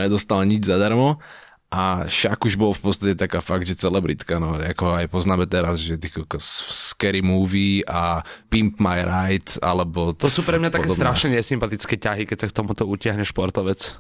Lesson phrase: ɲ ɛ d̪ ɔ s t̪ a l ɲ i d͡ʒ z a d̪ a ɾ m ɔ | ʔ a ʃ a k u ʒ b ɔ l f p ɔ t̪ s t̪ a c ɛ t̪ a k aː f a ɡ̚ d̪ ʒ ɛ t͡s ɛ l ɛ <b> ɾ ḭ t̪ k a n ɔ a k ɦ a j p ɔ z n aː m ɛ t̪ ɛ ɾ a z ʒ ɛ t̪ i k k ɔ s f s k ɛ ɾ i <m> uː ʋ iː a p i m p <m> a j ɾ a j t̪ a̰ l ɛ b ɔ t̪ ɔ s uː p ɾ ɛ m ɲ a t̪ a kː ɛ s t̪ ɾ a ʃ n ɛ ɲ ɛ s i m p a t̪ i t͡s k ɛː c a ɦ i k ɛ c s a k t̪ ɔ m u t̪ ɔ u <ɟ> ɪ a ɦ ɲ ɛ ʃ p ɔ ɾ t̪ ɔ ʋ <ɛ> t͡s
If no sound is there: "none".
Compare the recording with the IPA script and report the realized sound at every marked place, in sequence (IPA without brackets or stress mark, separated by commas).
b, m, m, c, ɛ